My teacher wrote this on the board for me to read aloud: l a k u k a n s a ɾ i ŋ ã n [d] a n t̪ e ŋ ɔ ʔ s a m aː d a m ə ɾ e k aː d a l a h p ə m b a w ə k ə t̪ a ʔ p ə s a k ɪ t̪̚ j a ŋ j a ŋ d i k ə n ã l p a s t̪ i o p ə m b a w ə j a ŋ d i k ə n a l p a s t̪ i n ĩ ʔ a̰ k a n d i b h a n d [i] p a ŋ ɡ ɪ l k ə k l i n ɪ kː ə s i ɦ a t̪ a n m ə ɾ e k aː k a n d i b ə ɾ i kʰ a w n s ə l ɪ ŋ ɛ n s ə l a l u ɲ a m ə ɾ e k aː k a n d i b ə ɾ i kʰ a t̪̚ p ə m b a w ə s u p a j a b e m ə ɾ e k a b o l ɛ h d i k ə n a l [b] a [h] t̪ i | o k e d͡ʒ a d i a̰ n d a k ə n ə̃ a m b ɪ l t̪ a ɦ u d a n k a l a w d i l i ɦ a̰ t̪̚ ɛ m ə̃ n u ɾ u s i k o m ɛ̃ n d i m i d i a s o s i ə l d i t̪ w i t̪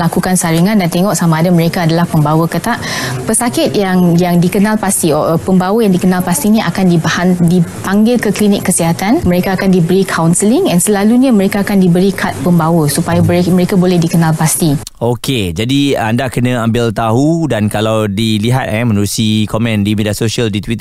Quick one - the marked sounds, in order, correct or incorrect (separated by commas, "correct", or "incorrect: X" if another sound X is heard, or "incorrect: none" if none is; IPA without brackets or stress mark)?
correct, correct, incorrect: p, incorrect: s